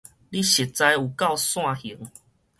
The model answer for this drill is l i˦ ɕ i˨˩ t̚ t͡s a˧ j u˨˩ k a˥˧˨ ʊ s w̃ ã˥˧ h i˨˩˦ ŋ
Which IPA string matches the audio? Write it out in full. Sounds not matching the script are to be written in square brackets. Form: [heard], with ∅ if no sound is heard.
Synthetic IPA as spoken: l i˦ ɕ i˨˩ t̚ t͡s a˧ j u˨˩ k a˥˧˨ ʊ s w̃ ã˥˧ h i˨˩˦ ŋ